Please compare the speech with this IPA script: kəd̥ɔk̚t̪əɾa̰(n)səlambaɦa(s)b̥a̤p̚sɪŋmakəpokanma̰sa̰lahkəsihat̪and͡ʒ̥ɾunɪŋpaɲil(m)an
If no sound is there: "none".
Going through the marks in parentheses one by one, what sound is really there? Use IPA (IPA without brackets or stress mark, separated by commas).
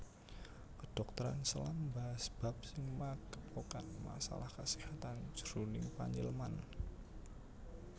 n, s, m